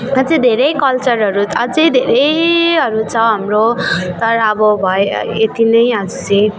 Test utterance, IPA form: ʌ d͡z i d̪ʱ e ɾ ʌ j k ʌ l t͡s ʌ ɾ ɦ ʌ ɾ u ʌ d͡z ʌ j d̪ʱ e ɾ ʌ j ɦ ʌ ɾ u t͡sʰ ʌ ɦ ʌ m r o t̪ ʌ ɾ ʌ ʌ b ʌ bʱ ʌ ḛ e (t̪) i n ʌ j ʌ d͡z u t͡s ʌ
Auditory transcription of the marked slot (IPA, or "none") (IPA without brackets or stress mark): t̪